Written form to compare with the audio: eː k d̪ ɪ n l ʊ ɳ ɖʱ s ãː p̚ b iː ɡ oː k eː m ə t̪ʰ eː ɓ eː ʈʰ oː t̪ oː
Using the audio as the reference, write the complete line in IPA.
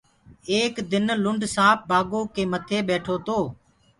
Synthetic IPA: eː k d̪ ɪ n l ʊ ɳ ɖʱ s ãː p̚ b aː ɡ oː k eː m ə t̪ʰ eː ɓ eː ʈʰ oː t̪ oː

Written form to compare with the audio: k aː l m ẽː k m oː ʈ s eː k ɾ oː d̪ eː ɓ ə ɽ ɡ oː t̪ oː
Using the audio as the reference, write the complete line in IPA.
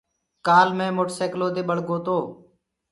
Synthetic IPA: k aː l m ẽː m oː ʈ s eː k l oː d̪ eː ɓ ə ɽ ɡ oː t̪ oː

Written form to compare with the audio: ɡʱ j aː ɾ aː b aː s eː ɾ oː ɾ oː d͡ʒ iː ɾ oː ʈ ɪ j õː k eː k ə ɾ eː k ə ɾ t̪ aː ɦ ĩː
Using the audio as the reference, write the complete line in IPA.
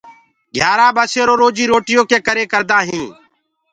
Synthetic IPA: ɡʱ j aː ɾ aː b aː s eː ɾ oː ɾ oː d͡ʒ iː ɾ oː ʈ ɪ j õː k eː k ə ɾ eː k ə ɾ d̪ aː ɦ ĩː

